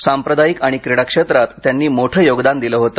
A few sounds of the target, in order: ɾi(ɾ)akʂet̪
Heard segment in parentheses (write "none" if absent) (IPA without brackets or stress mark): ɽ